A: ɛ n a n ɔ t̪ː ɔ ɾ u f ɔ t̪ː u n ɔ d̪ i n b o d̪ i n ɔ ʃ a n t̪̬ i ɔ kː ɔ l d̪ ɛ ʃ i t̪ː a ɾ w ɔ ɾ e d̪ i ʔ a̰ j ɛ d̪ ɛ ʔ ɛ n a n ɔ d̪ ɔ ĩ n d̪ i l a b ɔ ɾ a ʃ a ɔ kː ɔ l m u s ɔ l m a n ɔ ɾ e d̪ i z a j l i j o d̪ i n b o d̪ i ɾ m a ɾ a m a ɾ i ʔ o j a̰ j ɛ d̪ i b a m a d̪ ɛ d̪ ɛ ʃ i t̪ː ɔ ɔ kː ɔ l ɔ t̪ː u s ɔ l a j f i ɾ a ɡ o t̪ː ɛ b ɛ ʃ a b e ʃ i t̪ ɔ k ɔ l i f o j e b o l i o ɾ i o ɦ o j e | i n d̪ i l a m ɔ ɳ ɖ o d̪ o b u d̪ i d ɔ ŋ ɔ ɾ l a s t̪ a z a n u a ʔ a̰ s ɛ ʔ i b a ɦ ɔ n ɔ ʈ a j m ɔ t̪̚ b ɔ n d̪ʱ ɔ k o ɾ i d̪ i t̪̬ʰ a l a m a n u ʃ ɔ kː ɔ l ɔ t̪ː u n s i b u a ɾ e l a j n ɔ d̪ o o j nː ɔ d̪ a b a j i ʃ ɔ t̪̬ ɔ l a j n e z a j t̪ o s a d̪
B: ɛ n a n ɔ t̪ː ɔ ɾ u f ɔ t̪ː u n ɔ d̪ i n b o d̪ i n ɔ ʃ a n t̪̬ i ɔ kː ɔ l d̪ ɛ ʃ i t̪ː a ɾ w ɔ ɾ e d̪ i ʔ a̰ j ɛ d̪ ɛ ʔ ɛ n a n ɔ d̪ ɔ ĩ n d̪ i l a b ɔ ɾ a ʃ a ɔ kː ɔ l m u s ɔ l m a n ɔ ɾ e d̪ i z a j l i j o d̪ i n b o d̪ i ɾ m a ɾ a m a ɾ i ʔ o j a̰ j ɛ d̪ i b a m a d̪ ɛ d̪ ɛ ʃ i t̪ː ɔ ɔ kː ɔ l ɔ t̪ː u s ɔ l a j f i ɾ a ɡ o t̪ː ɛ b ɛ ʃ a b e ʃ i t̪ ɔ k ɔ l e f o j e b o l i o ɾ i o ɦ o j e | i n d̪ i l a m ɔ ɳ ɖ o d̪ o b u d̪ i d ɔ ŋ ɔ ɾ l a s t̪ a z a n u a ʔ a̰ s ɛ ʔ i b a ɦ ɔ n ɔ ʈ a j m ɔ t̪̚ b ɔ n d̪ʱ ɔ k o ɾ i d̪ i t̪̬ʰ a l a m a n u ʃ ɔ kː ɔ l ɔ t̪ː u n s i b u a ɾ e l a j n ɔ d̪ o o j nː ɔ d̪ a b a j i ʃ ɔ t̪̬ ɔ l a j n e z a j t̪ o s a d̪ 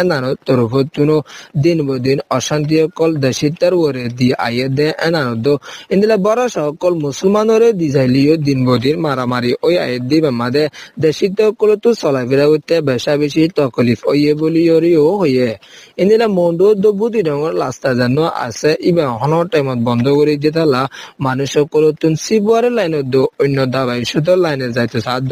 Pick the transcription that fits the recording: A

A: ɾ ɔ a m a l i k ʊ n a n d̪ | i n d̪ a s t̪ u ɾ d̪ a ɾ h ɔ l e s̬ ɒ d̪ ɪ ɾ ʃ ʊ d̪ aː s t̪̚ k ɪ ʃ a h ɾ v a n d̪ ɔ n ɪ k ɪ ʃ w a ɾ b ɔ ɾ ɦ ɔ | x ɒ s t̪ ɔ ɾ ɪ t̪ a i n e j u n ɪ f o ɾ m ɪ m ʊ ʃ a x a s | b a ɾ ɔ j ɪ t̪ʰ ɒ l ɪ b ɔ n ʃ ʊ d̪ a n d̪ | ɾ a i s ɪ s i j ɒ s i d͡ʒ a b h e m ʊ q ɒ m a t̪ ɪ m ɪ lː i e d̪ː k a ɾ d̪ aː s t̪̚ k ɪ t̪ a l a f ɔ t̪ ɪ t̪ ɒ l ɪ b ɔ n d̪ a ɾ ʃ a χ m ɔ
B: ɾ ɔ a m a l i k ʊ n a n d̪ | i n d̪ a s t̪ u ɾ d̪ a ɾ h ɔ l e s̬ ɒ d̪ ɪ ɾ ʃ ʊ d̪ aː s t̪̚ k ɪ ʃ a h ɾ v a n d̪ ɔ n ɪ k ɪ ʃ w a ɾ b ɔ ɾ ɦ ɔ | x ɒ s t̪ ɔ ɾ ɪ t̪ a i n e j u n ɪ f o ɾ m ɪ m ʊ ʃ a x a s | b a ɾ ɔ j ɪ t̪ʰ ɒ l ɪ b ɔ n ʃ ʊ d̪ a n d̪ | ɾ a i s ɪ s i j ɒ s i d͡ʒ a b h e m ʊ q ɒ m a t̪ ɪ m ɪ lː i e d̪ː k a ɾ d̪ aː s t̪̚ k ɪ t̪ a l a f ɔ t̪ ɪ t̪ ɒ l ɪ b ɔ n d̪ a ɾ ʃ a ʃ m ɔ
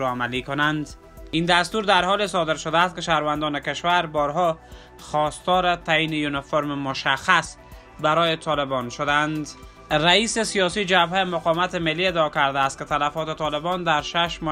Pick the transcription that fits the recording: B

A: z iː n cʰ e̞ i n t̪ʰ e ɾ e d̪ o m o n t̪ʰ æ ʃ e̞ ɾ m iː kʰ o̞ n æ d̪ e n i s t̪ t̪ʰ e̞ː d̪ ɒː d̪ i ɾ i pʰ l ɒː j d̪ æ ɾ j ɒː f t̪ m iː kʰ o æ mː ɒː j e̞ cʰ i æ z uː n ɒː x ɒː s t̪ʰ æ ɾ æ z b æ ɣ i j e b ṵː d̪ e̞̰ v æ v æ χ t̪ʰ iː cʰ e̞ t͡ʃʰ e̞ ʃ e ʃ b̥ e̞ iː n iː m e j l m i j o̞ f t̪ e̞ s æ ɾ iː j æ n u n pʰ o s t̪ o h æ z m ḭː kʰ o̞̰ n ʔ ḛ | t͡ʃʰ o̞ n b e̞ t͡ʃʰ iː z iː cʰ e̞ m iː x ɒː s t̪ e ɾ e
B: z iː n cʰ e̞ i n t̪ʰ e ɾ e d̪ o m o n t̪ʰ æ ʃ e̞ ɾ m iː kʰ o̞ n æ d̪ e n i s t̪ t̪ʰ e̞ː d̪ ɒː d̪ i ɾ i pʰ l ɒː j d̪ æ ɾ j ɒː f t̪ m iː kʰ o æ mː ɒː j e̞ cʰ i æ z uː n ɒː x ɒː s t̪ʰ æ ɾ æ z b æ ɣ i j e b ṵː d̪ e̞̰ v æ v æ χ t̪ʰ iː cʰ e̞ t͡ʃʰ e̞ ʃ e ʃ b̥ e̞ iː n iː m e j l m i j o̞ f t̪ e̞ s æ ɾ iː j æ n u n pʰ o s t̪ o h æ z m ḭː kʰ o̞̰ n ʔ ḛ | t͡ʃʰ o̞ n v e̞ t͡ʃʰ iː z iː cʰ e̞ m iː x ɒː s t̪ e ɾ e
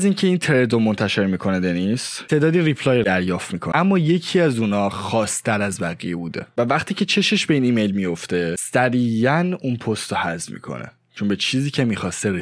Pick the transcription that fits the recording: A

